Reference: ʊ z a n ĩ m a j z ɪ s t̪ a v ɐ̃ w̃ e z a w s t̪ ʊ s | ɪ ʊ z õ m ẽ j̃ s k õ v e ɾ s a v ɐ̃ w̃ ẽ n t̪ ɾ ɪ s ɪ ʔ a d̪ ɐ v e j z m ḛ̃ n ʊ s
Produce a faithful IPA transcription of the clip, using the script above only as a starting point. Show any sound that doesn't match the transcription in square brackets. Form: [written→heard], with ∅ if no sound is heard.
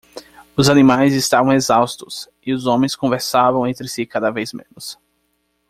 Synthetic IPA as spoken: ʊ z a n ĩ m a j z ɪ s t̪ a v ɐ̃ w̃ e z a w s t̪ ʊ s | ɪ ʊ z õ m ẽ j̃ s k õ v e ɾ s a v ɐ̃ w̃ ẽ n t̪ ɾ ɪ s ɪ [ʔ→k] a d̪ ɐ v e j z m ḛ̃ n ʊ s